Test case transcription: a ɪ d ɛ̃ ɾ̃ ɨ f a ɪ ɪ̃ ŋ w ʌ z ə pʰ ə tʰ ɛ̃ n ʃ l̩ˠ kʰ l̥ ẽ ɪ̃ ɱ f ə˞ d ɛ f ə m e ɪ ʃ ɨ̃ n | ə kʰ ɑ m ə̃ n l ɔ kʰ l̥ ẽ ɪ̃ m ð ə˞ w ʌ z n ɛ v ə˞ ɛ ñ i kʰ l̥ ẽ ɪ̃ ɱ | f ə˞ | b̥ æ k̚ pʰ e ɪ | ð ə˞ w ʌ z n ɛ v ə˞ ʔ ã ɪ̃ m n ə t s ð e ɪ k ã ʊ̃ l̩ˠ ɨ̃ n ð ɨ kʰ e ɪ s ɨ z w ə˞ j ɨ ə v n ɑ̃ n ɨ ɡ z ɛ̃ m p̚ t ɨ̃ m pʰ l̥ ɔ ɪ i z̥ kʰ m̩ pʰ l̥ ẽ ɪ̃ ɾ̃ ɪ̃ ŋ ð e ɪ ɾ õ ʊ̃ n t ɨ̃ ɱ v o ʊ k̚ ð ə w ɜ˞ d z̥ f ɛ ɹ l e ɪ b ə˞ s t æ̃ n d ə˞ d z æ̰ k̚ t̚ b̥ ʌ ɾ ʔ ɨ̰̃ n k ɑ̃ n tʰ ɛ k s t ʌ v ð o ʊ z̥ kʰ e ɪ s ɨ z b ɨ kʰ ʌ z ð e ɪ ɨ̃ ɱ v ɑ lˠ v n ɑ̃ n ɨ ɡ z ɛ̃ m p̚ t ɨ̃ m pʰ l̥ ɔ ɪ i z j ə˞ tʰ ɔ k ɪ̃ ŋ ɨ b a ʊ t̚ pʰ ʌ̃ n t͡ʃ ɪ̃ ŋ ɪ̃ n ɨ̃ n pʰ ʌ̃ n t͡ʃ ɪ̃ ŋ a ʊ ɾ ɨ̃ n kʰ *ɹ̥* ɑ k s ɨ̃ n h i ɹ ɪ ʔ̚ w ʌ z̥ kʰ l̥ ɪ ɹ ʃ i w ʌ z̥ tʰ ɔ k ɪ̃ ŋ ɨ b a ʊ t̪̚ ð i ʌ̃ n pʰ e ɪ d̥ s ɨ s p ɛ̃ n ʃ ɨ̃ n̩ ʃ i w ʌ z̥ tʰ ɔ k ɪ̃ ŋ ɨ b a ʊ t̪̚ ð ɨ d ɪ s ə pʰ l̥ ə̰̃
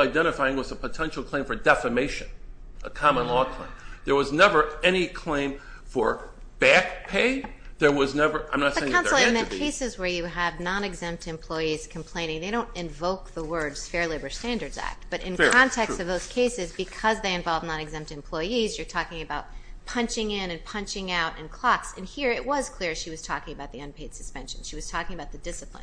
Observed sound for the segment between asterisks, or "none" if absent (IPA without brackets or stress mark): l̥